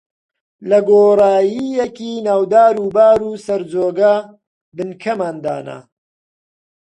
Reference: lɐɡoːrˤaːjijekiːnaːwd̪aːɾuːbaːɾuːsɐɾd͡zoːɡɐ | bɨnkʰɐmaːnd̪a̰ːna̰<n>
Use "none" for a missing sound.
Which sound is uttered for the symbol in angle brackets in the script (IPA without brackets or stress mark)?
none